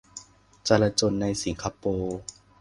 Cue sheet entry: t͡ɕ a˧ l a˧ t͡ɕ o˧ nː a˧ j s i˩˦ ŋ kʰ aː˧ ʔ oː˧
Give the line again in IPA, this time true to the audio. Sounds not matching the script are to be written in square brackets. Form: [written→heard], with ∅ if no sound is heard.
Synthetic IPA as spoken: t͡ɕ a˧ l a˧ t͡ɕ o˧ nː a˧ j s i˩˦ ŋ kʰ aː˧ [ʔ→p] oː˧